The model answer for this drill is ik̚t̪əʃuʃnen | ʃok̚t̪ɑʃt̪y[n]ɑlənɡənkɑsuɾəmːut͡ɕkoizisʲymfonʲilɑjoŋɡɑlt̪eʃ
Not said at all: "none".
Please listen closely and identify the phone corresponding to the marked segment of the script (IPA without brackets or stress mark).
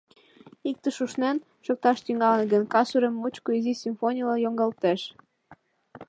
ŋ